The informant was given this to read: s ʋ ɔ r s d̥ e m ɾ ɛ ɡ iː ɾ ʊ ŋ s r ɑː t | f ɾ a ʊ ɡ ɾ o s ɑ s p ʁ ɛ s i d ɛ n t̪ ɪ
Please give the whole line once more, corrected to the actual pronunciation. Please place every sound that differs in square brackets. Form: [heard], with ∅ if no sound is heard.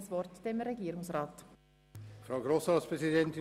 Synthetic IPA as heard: s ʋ ɔ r [t] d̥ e m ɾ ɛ ɡ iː ɾ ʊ ŋ s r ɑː t | f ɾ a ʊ ɡ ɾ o s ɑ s p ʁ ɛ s i d ɛ n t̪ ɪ